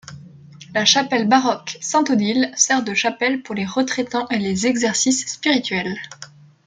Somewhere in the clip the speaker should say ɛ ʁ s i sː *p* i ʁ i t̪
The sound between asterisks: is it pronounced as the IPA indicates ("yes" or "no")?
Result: yes